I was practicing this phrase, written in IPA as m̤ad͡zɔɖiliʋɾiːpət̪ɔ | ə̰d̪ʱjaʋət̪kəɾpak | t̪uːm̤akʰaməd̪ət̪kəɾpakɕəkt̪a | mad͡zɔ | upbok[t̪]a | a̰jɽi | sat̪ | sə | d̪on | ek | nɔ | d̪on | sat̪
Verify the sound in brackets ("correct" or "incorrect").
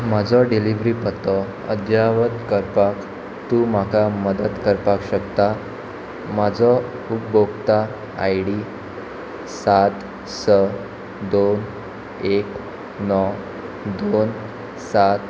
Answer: correct